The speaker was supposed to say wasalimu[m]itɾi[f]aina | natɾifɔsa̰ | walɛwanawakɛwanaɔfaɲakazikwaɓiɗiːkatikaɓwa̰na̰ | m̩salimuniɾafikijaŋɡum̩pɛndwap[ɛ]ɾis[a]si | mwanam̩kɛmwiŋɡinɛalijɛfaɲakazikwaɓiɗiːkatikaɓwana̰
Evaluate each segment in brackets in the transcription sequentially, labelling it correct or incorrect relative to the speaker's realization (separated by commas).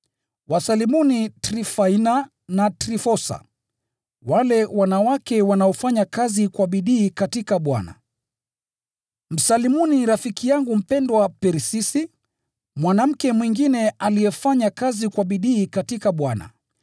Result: incorrect, correct, correct, incorrect